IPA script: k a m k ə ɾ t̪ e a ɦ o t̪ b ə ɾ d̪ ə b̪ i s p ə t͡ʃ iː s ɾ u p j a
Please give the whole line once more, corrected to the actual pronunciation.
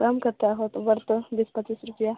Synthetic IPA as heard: k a m k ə ɾ t̪ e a ɦ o t̪ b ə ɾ t̪ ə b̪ i s p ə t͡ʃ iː s ɾ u p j a